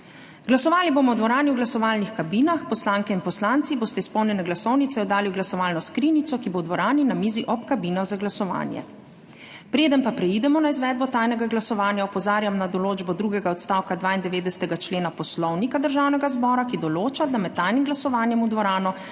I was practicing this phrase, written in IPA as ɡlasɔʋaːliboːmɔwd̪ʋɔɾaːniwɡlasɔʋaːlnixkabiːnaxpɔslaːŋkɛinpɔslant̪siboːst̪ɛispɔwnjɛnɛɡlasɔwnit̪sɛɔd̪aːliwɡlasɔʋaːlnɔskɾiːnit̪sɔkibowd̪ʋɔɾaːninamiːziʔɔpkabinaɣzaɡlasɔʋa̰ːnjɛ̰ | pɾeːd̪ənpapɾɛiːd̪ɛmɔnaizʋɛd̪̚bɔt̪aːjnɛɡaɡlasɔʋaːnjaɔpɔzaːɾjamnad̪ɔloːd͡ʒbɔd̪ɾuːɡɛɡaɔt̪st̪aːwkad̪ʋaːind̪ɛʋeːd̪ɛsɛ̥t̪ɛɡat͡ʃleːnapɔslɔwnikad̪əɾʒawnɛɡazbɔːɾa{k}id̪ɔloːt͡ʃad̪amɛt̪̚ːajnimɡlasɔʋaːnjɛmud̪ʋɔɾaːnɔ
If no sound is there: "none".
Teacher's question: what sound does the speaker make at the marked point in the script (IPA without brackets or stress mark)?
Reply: k